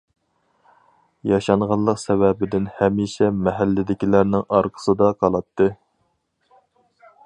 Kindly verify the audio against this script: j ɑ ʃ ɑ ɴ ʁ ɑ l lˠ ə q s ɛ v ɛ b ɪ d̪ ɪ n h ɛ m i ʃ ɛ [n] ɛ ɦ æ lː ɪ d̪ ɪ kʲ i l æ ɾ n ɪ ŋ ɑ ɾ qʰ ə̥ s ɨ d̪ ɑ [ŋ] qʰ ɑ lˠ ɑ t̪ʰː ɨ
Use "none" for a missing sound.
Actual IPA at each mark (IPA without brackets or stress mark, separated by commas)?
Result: m, none